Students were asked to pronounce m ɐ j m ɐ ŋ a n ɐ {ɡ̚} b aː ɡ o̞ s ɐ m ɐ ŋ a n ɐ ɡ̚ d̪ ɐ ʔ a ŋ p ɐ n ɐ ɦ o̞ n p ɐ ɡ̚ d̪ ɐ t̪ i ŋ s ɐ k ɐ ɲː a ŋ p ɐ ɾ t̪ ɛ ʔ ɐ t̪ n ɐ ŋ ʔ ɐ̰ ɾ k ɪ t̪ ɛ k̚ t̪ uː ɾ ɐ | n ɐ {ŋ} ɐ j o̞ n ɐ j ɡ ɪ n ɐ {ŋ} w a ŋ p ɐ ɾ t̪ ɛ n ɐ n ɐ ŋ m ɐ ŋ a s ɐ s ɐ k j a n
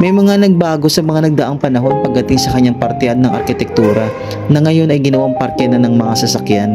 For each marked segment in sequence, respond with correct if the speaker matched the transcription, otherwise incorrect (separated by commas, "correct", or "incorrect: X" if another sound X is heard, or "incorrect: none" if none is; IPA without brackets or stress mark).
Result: correct, correct, incorrect: none